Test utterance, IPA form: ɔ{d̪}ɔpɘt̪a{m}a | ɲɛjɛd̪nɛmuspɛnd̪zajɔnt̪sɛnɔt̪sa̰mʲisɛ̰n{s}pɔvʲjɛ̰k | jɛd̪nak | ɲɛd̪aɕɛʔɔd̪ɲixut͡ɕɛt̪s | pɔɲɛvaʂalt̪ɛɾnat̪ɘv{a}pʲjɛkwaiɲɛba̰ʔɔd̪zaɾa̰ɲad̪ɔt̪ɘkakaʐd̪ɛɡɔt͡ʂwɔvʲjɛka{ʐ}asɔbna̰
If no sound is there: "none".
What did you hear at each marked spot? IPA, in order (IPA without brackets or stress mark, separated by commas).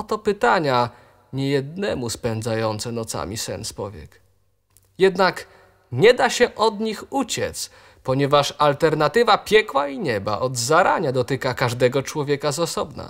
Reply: t̪, ɲ, s, a, z